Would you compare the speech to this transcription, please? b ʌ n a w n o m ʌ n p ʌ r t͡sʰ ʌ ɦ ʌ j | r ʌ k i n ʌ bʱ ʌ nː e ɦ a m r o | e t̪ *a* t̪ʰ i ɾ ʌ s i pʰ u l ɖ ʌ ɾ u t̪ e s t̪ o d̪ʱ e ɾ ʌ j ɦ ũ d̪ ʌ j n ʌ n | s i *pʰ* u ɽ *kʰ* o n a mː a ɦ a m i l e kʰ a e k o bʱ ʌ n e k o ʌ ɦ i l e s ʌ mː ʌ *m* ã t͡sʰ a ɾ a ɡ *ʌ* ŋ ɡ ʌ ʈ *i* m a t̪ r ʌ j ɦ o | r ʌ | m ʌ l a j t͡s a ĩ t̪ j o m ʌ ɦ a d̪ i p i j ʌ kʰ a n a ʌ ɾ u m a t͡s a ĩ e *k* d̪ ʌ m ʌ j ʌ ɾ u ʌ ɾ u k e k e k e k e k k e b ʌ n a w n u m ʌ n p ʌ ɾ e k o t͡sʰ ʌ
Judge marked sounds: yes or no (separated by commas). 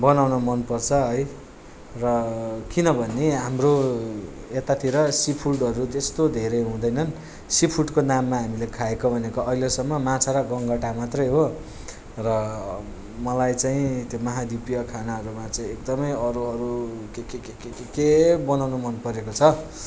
yes, yes, no, yes, yes, no, yes